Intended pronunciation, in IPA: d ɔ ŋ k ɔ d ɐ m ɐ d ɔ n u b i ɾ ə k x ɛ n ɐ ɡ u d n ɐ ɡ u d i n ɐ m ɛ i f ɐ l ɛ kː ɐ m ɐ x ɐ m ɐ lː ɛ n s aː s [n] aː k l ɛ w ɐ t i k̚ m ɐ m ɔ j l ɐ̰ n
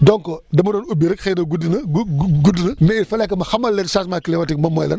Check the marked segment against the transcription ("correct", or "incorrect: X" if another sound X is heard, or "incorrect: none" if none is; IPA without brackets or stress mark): incorrect: m